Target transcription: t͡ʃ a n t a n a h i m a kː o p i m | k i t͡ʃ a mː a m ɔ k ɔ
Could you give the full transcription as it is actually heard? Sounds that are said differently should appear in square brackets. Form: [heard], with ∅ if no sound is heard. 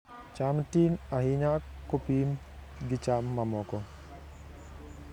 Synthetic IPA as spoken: t͡ʃ a [m] t [i] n a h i [ɲ] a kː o p i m | [ɡ] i t͡ʃ a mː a m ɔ k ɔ